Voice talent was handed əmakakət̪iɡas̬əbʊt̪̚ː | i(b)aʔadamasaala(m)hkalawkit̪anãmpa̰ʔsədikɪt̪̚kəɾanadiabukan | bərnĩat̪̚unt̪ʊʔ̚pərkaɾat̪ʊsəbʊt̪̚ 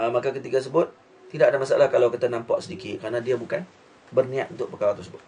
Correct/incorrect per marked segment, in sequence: incorrect: d, incorrect: none

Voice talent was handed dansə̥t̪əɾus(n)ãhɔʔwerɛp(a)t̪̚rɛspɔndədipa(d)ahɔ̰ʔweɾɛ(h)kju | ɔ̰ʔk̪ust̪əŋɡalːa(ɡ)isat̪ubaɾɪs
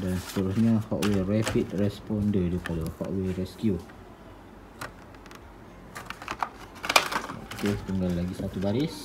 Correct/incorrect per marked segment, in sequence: incorrect: ɲ, incorrect: i, correct, incorrect: s, correct

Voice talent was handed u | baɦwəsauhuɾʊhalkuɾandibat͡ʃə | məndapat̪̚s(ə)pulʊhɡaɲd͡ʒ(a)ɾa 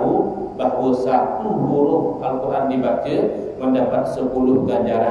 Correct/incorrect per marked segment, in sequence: correct, correct

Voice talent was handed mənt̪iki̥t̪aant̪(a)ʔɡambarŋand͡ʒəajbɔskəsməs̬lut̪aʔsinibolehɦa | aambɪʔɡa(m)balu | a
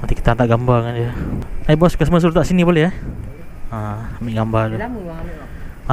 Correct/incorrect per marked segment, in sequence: correct, correct

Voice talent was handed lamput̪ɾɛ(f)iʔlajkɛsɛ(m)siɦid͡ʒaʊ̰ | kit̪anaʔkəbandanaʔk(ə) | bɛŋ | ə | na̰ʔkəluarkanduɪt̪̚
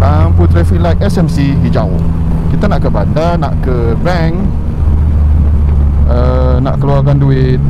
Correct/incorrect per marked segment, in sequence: correct, correct, correct

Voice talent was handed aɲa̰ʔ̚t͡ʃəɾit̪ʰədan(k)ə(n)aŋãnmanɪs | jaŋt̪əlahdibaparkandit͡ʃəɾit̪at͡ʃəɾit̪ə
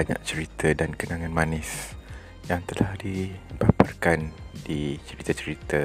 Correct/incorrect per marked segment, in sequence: correct, correct

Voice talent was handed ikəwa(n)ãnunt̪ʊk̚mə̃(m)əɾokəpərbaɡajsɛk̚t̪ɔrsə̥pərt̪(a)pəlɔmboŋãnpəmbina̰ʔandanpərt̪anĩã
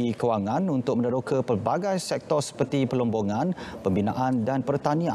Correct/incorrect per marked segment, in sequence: incorrect: ŋ, incorrect: n, incorrect: i

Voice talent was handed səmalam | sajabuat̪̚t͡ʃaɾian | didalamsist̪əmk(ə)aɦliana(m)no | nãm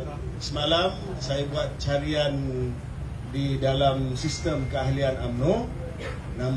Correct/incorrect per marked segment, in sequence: correct, correct

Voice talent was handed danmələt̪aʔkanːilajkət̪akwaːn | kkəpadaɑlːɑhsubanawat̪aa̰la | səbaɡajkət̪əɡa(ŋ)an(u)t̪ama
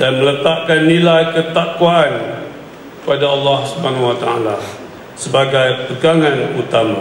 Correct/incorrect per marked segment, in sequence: correct, correct

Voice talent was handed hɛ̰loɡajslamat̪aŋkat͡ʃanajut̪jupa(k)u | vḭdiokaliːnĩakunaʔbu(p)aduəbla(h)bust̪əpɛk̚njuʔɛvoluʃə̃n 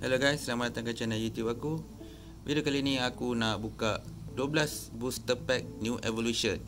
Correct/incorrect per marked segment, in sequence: correct, incorrect: k, incorrect: s

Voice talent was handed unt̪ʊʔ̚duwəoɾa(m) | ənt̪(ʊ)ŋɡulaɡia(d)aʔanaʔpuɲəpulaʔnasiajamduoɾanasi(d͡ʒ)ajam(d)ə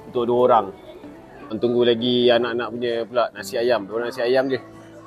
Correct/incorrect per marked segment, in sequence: incorrect: ŋ, incorrect: u, incorrect: n, incorrect: none, incorrect: d͡ʒ

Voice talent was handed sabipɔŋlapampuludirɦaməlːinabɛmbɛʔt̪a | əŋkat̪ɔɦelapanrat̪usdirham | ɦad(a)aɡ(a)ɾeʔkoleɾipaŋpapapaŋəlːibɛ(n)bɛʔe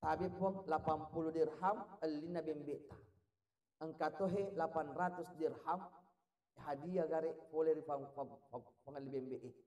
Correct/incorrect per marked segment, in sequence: incorrect: i, correct, incorrect: m

